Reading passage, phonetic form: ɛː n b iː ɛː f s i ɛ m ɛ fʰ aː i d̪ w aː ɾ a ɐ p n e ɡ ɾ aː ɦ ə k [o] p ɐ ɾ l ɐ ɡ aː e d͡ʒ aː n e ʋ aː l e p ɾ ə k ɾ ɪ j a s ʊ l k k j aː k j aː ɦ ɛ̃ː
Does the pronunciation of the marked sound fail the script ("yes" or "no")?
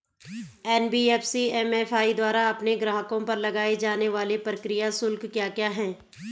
yes